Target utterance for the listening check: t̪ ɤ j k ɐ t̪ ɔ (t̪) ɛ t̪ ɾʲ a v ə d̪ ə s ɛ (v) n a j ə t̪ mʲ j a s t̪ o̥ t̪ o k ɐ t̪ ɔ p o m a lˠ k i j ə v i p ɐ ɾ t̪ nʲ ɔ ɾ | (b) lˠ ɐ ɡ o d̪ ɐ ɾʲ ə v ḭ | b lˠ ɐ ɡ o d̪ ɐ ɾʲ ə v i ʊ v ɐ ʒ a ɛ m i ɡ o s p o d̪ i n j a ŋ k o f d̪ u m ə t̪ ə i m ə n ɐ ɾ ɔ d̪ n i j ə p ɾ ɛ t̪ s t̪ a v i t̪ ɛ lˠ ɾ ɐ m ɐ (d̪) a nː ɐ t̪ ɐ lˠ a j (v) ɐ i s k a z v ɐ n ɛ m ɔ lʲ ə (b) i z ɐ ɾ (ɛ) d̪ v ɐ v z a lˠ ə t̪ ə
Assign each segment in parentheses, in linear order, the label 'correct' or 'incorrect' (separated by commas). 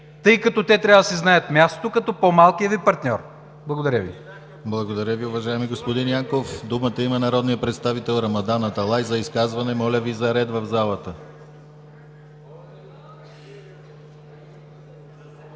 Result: correct, incorrect, correct, correct, incorrect, incorrect, correct